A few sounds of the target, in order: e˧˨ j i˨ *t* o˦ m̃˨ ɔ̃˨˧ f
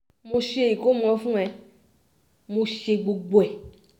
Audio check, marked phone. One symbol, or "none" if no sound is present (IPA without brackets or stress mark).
k